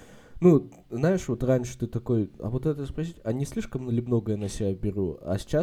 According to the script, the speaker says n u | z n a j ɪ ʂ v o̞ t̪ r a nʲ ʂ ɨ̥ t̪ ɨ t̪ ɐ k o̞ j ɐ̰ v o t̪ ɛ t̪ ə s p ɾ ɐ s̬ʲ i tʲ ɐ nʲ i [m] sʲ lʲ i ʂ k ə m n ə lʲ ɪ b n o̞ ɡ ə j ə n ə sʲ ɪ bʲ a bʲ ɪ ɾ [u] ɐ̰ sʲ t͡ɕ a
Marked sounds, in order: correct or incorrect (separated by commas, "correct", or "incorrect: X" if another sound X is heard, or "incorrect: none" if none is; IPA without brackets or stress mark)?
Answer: incorrect: none, correct